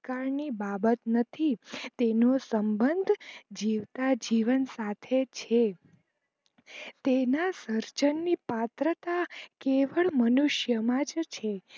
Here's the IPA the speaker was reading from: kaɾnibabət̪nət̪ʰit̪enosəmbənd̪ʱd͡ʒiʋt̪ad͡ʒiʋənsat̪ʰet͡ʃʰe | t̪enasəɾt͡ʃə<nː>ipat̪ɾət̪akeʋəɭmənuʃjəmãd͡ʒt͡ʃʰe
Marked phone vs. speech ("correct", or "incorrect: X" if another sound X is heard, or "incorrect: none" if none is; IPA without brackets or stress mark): correct